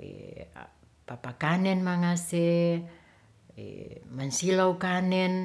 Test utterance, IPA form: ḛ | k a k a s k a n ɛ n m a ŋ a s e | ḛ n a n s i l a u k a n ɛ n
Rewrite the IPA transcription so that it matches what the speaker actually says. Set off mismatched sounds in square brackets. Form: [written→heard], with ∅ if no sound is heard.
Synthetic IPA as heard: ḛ | [k→p] a [k→p] a [s→∅] k a n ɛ n m a ŋ a s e | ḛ [n→m] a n s i l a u k a n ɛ n